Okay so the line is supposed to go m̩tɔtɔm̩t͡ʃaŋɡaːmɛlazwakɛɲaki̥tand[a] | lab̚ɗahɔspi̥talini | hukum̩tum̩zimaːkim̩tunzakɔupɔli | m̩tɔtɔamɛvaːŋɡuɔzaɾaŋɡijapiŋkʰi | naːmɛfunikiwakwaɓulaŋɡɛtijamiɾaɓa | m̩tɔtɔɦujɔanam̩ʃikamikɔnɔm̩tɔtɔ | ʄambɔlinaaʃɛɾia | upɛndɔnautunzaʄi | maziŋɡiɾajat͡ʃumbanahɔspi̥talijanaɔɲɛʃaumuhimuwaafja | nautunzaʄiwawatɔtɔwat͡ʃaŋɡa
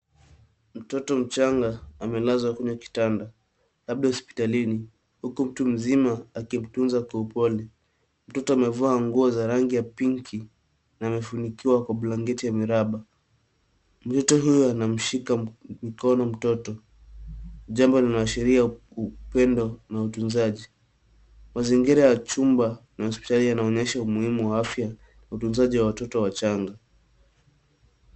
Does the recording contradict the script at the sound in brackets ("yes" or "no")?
no